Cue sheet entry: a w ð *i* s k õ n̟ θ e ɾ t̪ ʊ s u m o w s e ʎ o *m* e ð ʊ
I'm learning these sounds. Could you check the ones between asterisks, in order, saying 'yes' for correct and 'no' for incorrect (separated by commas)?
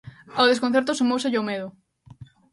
no, yes